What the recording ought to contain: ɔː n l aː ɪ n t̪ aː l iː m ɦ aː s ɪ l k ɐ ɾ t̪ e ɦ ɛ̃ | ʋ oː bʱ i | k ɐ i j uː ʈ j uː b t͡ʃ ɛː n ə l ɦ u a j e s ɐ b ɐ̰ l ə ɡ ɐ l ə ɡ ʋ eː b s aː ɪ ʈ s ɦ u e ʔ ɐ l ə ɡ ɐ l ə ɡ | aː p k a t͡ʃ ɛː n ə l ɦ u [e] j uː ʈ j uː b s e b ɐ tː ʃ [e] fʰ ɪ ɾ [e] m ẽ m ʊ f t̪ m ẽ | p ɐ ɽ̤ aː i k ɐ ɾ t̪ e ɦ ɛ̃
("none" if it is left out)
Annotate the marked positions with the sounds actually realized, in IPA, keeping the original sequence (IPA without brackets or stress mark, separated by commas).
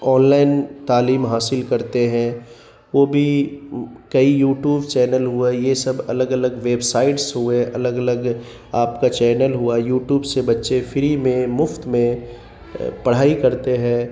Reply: a, e, i